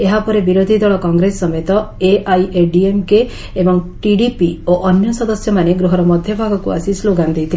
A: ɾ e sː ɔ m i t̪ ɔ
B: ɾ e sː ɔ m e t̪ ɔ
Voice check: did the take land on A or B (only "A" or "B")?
B